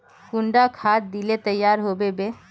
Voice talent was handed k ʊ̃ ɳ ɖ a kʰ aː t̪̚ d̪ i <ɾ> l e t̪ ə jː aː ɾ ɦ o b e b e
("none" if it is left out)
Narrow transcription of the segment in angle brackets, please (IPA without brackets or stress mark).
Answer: none